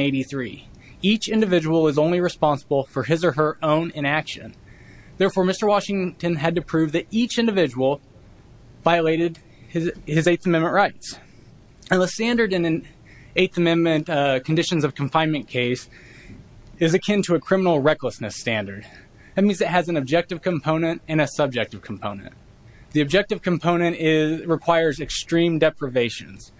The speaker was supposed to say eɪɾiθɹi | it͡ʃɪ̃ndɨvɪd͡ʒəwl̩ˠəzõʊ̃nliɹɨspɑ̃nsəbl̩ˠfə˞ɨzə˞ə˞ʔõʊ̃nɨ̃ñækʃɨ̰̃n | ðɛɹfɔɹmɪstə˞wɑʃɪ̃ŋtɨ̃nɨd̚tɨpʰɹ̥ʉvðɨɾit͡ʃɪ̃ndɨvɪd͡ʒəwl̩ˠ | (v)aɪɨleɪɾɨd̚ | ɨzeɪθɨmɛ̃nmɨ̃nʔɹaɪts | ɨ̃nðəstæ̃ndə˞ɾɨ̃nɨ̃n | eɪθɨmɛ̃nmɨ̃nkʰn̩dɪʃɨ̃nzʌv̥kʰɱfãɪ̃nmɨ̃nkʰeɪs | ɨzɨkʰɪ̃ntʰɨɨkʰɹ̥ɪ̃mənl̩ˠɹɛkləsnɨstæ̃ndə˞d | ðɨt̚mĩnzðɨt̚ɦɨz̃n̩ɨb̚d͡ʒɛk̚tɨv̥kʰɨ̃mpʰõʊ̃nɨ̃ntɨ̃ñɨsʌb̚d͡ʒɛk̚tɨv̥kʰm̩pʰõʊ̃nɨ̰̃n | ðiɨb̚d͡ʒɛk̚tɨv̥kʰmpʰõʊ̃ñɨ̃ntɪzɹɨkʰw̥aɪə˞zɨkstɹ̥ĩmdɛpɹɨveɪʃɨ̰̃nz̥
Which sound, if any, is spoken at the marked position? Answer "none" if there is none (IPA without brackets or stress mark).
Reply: v